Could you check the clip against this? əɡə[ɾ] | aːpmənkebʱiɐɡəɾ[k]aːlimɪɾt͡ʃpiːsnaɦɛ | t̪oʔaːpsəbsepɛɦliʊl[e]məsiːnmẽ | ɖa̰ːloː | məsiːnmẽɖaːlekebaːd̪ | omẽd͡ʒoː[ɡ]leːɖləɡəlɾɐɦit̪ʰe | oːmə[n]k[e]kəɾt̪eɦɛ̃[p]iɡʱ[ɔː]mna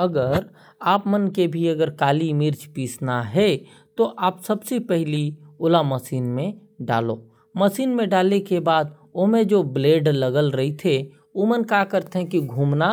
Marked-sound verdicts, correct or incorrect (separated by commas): correct, correct, incorrect, incorrect, correct, incorrect, incorrect, incorrect